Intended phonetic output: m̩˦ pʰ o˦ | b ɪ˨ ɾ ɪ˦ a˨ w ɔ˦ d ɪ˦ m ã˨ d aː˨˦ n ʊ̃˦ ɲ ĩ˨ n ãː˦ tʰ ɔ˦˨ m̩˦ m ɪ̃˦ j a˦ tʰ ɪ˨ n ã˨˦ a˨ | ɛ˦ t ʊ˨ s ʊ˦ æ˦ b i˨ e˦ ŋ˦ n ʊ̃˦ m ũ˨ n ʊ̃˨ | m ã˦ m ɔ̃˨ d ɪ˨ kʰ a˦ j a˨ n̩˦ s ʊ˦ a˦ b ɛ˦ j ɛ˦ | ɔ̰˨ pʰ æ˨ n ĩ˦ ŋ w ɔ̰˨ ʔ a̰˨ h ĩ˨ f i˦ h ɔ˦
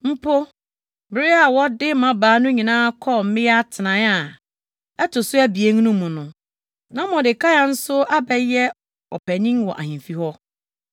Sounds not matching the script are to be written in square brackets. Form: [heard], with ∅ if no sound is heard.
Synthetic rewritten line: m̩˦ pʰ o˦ | b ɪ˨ ɾ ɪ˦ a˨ w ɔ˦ d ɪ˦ m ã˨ [b] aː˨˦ n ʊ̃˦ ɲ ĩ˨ n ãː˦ [kʰ] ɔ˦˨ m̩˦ m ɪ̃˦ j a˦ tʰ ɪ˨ n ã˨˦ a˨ | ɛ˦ t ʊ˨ s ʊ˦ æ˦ b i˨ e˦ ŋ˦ n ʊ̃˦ m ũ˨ n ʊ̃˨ | [n] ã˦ m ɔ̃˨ d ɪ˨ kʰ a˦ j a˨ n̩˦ s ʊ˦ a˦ b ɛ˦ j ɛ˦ | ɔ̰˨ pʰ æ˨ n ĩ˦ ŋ w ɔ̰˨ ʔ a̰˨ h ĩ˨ f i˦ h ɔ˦